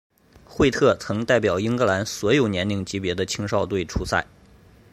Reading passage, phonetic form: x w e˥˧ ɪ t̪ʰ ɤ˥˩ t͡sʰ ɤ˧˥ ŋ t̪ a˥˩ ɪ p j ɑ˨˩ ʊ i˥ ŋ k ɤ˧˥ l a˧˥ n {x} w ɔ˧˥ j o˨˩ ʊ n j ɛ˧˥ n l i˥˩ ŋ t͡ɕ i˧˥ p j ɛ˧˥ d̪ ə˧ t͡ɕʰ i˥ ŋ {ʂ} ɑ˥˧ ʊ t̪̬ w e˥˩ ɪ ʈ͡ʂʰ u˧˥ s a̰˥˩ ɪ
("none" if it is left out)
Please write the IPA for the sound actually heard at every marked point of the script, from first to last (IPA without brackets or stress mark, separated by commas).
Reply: s, ʂ